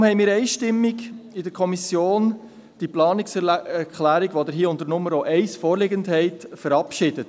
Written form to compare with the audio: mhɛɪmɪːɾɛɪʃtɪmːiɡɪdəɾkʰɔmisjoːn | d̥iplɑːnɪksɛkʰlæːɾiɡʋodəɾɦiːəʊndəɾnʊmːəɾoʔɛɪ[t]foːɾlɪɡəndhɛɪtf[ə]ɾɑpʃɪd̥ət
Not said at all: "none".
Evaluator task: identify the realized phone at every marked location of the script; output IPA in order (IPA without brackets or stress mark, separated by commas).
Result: s, ə